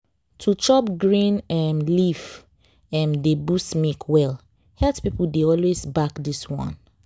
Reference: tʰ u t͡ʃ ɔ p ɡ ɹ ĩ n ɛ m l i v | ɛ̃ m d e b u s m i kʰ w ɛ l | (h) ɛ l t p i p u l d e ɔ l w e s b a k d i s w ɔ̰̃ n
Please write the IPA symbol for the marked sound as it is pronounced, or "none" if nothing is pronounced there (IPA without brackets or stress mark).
h